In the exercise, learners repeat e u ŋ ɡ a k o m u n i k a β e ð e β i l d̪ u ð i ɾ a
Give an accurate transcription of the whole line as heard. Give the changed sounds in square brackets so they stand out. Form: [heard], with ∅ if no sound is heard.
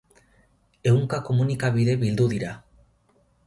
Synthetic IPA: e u ŋ [k] a k o m u n i k a β [i] ð e β i l d̪ u ð i ɾ a